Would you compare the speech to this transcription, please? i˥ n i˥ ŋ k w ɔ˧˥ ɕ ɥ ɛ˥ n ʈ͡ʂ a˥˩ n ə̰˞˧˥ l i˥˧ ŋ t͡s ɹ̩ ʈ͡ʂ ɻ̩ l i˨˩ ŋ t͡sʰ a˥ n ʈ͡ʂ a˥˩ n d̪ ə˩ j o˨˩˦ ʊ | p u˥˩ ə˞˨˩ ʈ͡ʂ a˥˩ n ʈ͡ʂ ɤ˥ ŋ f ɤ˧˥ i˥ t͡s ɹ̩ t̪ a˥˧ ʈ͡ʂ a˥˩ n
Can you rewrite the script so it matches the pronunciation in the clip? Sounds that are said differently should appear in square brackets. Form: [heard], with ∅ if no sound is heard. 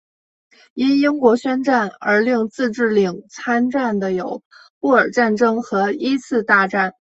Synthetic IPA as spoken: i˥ n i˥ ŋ k w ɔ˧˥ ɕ ɥ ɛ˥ n ʈ͡ʂ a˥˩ n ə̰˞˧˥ l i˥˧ ŋ t͡s ɹ̩ ʈ͡ʂ ɻ̩ l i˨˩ ŋ t͡sʰ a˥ n ʈ͡ʂ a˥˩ n d̪ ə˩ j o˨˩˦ ʊ | p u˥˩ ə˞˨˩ ʈ͡ʂ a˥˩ n ʈ͡ʂ ɤ˥ ŋ [x] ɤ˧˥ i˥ [t͡sʰ] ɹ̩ t̪ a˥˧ ʈ͡ʂ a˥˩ n